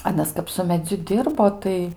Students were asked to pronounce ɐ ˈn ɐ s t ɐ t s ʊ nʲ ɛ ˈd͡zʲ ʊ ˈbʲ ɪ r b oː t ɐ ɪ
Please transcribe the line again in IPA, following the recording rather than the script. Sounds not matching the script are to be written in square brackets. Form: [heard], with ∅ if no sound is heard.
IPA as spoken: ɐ ˈn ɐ s [k] ɐ [p] s ʊ [mʲ] ɛ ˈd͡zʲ ʊ [ˈdʲ] ɪ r b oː t ɐ ɪ